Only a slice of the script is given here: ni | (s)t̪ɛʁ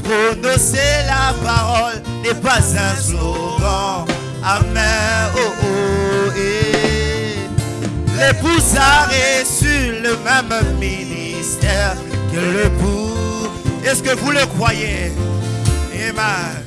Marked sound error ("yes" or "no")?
no